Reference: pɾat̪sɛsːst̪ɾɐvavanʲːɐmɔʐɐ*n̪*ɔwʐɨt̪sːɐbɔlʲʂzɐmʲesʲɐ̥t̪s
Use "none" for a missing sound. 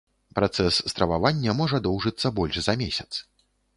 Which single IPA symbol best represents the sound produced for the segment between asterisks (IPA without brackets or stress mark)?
d̪